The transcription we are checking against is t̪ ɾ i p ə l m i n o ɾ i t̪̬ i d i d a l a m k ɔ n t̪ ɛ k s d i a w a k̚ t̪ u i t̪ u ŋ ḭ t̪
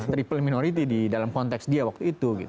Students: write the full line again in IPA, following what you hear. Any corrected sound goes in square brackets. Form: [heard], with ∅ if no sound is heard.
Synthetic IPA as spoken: t̪ ɾ i p ə l m i n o ɾ i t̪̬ i d i d a l a m k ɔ n t̪ ɛ k s d i a w a k̚ t̪ u i t̪ u [ɡ] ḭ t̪